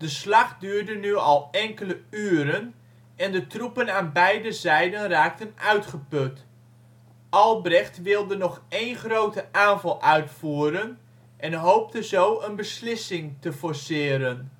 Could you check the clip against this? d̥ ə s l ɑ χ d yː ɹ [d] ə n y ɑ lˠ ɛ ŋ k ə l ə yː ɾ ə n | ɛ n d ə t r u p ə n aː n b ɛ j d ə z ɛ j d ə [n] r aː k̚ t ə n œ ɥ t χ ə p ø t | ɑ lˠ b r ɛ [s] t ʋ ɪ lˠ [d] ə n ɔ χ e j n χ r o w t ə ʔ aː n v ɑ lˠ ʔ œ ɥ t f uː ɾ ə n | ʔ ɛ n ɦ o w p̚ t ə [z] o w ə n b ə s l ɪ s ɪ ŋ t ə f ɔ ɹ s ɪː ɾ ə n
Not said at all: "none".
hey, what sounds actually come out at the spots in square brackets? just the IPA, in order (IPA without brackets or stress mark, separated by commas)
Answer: d, n, χ, d, z